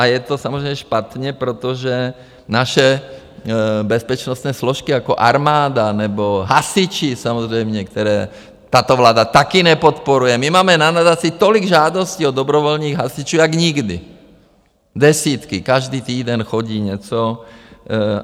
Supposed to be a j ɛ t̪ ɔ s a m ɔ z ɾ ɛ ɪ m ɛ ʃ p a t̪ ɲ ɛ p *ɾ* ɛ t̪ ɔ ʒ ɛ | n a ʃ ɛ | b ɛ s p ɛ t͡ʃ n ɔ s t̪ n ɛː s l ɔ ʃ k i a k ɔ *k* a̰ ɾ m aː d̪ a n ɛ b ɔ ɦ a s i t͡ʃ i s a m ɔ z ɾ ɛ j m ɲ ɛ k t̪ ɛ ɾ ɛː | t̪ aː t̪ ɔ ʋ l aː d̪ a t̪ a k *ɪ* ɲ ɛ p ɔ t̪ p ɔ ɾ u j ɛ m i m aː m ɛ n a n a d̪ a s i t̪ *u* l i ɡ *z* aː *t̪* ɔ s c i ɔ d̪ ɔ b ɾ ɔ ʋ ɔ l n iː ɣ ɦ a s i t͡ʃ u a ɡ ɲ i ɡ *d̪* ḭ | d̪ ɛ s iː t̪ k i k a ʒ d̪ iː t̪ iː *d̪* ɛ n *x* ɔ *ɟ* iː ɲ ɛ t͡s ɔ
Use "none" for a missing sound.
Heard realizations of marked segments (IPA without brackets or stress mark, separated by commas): ɾ, ʔ, i, ɔ, ʒ, d̪, d̪, d̪, x, ɟ